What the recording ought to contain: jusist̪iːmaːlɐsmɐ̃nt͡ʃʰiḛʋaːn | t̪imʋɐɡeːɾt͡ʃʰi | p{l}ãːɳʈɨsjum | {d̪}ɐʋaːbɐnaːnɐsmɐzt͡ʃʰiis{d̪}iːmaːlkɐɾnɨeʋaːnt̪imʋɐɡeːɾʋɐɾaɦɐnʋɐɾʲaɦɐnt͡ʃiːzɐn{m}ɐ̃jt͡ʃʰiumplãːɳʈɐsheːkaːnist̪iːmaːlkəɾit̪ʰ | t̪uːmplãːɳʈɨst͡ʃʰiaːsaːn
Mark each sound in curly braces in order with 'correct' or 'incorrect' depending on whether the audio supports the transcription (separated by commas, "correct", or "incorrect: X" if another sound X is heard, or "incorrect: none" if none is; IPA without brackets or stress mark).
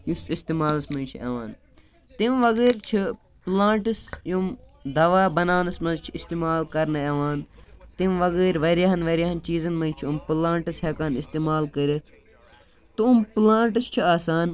correct, correct, incorrect: t̪, correct